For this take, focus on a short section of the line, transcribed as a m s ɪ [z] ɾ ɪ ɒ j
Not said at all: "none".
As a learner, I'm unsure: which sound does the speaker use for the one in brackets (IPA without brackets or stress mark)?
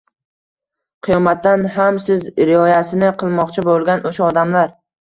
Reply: z